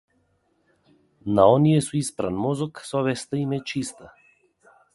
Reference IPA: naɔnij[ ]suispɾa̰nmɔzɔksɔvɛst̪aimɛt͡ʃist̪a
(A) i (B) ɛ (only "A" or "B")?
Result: B